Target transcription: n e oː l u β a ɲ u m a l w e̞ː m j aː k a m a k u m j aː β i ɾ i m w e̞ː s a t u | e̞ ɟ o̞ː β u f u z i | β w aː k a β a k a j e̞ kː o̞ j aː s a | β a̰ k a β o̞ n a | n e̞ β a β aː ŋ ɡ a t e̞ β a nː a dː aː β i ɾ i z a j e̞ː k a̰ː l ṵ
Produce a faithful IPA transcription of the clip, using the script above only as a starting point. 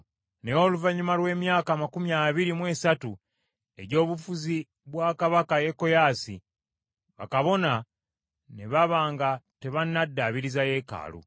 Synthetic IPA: n e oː l u v a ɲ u m a l w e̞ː m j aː k a m a k u m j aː β i ɾ i m w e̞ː s a t u | e̞ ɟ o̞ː β u f u z i | β w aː k a β a k a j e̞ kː o̞ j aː s i | β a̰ k a β o̞ n a | n e̞ β a β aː ŋ ɡ a t e̞ β a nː a dː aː β i ɾ i z a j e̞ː k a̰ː l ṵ